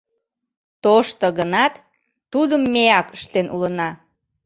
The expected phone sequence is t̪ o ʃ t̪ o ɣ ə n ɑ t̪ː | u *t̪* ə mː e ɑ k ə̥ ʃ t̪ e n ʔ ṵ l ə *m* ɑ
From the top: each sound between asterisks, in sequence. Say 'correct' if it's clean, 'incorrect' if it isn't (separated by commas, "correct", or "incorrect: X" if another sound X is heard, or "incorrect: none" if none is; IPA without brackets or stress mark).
incorrect: d̪, incorrect: n